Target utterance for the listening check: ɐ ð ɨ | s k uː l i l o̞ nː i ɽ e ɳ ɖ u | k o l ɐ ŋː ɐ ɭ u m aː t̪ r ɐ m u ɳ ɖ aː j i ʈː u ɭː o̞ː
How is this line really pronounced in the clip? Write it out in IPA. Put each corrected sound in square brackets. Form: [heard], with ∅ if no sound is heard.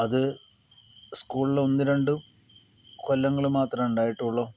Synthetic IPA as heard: ɐ ð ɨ | s k uː [ɭ] i l o̞ nː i [ɾ] e ɳ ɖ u | k o [lː] ɐ ŋː ɐ ɭ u m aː t̪ r ɐ m u ɳ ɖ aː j i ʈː u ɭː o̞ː

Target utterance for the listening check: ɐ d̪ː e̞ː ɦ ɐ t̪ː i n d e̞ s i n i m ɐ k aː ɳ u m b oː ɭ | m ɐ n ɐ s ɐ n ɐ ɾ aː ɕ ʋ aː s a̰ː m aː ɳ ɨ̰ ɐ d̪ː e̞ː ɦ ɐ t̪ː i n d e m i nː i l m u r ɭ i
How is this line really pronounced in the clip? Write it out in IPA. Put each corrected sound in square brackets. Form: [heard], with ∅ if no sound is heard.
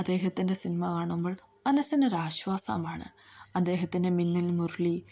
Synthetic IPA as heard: ɐ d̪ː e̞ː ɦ ɐ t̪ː i n d e̞ s i n i m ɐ k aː ɳ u m b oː ɭ | m ɐ n ɐ s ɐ n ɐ ɾ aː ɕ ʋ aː s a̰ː m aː ɳ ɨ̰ ɐ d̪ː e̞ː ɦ ɐ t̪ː i n d e m i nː i l m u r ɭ i

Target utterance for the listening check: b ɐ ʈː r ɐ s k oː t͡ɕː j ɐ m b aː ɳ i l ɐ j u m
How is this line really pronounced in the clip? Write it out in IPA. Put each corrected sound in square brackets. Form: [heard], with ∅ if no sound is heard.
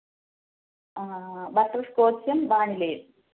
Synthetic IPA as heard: b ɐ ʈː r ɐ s k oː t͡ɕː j ɐ m b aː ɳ i l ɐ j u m

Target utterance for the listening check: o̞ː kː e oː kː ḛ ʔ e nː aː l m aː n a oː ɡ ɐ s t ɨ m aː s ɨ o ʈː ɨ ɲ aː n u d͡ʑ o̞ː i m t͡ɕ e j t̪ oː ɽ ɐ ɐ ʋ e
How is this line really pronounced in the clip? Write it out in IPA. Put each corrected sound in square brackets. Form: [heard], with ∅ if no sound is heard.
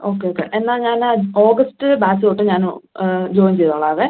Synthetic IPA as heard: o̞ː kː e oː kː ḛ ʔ e nː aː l [ɲ] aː n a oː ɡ ɐ s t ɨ [b] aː s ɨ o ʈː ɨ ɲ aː n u d͡ʑ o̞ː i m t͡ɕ e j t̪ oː [ɭ] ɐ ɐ ʋ e

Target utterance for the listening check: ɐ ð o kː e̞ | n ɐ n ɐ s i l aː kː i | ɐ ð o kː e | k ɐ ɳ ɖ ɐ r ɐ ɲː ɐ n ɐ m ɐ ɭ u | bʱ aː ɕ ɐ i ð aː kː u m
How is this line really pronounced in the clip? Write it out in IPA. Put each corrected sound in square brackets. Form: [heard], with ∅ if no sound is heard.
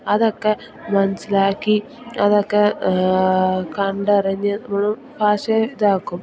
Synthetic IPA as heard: ɐ ð o kː e̞ | [m] ɐ n ɐ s i l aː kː i | ɐ ð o kː e | k ɐ ɳ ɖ ɐ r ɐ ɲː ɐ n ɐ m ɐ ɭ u | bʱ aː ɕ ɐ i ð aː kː u m

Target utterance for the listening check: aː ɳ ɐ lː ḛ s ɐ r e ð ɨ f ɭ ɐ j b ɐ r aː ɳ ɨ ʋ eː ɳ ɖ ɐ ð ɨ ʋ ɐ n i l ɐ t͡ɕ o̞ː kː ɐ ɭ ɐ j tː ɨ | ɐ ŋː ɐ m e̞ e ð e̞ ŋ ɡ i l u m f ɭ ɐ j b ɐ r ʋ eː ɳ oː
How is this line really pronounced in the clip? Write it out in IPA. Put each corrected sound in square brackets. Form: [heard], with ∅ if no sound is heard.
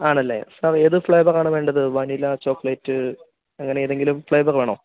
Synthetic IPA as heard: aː ɳ ɐ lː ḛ s ɐ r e ð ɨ f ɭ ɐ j b ɐ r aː ɳ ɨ ʋ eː ɳ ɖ ɐ ð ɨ ʋ ɐ n i l ɐ t͡ɕ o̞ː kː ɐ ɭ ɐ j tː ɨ | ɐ ŋː ɐ [n] e̞ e ð e̞ ŋ ɡ i l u m f ɭ ɐ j b ɐ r ʋ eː ɳ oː

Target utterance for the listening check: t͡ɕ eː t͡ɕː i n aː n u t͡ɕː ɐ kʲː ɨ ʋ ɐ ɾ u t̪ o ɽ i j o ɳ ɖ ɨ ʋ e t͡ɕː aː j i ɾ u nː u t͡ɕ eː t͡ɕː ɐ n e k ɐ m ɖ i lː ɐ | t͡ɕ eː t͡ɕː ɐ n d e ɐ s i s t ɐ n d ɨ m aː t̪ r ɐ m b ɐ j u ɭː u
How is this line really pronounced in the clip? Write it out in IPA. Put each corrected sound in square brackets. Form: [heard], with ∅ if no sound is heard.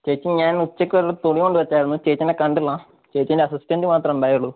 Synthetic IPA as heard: t͡ɕ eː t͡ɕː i [ɲ] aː n u t͡ɕː ɐ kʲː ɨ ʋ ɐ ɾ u t̪ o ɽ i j o ɳ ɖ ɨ ʋ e t͡ɕː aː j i ɾ u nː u t͡ɕ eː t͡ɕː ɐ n e k ɐ [ɳ] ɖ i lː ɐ | t͡ɕ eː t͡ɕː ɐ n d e ɐ s i s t ɐ n d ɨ m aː t̪ r ɐ m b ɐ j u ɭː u

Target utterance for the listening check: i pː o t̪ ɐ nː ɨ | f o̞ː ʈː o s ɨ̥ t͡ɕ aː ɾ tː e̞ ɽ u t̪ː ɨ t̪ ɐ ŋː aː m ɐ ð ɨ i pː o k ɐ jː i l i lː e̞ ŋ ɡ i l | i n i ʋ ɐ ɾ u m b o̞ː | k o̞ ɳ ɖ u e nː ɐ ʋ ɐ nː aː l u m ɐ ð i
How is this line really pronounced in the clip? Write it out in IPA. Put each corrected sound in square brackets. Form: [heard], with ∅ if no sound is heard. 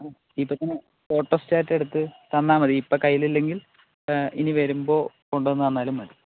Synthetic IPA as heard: i pː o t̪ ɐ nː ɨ | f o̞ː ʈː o s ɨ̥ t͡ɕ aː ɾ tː e̞ ɽ u t̪ː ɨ t̪ ɐ [nː] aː m ɐ ð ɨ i pː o k ɐ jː i l i lː e̞ ŋ ɡ i l | i n i ʋ ɐ ɾ u m b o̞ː | k o̞ ɳ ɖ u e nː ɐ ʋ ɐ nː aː l u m ɐ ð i

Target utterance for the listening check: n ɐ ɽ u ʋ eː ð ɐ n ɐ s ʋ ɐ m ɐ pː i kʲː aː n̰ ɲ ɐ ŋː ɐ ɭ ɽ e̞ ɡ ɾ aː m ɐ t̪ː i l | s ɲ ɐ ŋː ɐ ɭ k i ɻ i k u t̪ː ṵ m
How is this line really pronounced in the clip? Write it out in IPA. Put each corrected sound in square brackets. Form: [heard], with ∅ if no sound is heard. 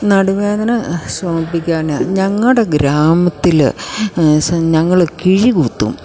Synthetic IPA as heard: n ɐ ɽ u ʋ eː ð ɐ n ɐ s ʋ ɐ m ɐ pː i kʲː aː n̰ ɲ ɐ ŋː ɐ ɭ ɽ e̞ ɡ ɾ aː m ɐ t̪ː i l | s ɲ ɐ ŋː ɐ ɭ k i ɻ i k u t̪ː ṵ m

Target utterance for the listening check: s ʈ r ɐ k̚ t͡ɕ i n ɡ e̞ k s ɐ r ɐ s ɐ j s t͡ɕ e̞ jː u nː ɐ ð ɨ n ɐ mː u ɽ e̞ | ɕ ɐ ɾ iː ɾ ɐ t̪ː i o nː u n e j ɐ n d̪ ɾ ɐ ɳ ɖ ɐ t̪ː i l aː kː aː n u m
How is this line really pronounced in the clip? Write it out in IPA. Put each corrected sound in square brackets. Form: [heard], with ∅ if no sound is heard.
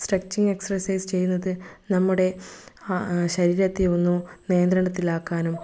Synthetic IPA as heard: s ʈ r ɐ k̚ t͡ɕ i [ŋ] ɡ e̞ k s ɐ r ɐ s ɐ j s t͡ɕ e̞ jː u nː ɐ ð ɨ n ɐ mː u ɽ e̞ | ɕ ɐ ɾ iː ɾ ɐ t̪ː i o nː u n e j ɐ n d̪ ɾ ɐ ɳ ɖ ɐ t̪ː i l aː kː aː n u m

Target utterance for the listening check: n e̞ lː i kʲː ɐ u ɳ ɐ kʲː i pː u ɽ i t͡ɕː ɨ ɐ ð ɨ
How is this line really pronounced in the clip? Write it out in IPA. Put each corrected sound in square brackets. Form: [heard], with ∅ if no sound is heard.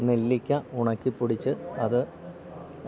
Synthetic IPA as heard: n e̞ lː i kʲː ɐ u ɳ ɐ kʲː i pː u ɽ i t͡ɕː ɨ ɐ ð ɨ

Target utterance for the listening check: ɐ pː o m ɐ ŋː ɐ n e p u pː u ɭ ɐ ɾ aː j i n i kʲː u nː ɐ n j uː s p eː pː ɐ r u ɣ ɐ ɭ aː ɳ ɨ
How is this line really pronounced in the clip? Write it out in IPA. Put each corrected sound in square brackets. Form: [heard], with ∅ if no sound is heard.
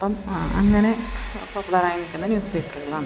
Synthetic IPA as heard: ɐ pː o m ɐ ŋː ɐ n e p [o] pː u ɭ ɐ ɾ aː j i n i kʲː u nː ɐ n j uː s p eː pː ɐ r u ɣ ɐ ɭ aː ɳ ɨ

